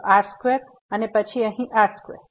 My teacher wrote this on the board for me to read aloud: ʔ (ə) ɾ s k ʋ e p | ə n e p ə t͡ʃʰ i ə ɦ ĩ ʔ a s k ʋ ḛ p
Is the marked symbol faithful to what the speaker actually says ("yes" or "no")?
no